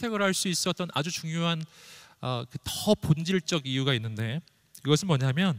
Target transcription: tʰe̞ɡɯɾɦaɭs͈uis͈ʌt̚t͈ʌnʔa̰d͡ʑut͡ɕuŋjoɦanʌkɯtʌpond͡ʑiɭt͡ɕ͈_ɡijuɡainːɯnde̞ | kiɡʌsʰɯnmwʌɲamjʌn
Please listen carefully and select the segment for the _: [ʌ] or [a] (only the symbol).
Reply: ʌ